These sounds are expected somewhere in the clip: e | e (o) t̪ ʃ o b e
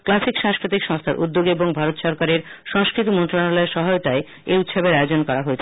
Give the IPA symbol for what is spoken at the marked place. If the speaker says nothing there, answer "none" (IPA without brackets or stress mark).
u